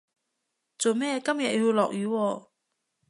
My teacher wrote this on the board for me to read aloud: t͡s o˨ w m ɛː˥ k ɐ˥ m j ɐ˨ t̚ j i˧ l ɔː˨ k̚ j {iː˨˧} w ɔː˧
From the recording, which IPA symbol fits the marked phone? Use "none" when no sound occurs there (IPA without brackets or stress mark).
yː˨˧